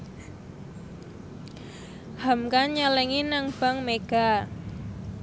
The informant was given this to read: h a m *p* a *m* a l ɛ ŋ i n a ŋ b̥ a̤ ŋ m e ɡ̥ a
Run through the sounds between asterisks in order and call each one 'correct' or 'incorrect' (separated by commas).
incorrect, incorrect